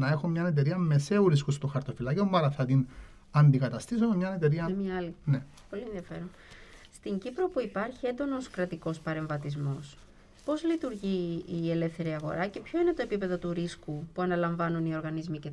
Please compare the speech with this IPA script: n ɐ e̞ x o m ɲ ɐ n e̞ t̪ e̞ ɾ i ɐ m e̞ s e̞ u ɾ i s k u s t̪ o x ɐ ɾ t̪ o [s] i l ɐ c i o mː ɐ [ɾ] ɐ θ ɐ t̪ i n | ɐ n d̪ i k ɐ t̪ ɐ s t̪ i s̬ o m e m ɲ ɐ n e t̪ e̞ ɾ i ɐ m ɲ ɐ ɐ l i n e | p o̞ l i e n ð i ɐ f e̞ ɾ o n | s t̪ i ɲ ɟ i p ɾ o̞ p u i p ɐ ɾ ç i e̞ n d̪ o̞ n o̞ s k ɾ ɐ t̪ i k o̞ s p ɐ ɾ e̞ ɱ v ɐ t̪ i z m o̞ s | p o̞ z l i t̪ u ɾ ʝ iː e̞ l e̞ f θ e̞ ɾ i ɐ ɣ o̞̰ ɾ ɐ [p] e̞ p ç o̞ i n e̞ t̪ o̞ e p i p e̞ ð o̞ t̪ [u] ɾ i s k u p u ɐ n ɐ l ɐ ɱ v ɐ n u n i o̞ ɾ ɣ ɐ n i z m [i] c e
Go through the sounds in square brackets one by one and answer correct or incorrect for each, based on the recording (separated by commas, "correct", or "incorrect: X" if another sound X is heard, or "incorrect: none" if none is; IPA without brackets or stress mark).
incorrect: f, correct, incorrect: c, correct, correct